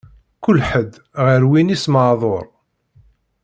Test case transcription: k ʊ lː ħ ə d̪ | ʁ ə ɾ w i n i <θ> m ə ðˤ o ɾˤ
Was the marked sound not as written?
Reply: yes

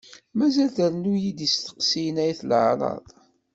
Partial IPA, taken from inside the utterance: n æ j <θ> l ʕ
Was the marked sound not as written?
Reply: no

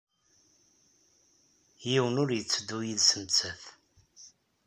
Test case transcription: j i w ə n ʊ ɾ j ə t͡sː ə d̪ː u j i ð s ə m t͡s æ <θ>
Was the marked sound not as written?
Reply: no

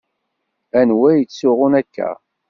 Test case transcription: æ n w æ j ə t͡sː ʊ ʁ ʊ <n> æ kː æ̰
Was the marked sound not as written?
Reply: no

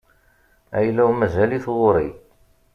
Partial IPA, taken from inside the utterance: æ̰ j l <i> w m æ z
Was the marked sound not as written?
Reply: yes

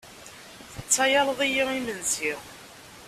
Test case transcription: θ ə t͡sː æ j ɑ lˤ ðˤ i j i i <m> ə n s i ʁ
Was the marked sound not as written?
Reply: no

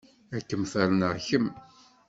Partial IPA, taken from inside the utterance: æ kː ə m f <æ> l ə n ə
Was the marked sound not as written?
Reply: no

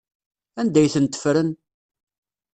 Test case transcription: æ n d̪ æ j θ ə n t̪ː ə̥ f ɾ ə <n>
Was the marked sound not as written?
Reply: no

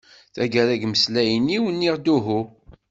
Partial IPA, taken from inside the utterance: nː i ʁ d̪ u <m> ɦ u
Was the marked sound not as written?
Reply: yes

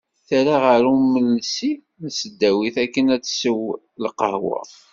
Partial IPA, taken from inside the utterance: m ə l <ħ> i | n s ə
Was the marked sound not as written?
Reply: yes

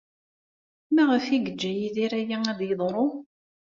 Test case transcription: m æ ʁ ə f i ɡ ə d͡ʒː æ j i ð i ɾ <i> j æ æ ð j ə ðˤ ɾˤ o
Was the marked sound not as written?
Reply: yes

